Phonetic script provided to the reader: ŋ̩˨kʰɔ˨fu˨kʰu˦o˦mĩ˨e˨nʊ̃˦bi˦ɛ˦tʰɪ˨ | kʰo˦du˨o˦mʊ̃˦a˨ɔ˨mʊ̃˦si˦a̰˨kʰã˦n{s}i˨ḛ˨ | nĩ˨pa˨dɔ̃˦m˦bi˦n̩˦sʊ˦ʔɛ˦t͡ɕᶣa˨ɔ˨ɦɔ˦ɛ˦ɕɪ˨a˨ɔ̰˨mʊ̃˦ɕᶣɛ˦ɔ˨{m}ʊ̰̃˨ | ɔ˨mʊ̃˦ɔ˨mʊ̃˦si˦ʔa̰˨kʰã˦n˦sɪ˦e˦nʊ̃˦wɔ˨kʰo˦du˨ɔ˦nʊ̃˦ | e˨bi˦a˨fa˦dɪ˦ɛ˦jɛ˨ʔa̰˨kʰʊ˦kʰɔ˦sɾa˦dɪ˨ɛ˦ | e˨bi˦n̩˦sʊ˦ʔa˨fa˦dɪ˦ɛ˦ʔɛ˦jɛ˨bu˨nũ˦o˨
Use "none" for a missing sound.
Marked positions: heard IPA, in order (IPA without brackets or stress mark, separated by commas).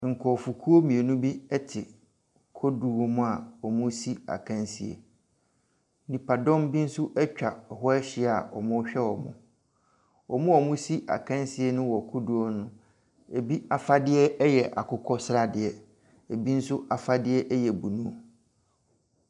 s, m